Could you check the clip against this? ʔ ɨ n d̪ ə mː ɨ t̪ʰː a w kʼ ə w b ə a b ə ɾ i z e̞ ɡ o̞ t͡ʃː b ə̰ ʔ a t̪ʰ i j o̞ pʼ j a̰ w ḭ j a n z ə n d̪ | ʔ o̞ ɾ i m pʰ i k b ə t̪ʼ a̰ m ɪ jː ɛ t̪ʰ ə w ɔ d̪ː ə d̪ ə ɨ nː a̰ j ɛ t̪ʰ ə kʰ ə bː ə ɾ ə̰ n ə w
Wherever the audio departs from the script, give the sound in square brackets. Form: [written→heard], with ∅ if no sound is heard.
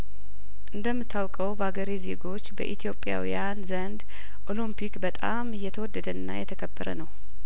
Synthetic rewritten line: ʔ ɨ n d̪ ə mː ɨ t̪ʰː a w kʼ ə w b ə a [b→ɡ] ə ɾ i z e̞ ɡ o̞ t͡ʃː b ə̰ ʔ [a→i] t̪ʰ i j o̞ pʼ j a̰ w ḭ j a n z ə n d̪ | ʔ o̞ [ɾ→l] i m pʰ i k b ə t̪ʼ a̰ m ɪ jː ɛ t̪ʰ ə w ɔ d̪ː ə d̪ ə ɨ nː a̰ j ɛ t̪ʰ ə kʰ ə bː ə ɾ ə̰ n ə w